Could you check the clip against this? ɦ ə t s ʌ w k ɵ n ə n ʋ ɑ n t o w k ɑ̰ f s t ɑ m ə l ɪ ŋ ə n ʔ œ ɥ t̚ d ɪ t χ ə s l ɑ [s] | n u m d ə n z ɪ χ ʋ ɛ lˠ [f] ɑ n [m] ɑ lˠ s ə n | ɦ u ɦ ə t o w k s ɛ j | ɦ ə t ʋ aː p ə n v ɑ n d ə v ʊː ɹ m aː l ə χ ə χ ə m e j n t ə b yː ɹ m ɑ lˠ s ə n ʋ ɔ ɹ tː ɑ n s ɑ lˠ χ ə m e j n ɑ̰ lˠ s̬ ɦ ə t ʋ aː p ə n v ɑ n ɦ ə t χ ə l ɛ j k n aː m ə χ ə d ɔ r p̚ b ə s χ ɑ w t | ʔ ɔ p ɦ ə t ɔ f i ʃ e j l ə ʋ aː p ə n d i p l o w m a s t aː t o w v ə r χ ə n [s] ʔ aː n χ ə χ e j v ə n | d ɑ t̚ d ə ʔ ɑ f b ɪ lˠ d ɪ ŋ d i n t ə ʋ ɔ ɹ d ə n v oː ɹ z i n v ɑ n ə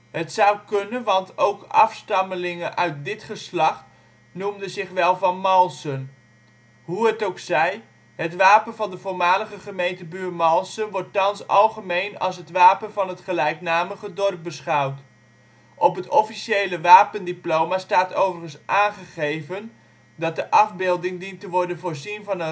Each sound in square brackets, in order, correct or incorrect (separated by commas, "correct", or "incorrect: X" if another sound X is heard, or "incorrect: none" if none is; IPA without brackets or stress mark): incorrect: χ, incorrect: v, correct, correct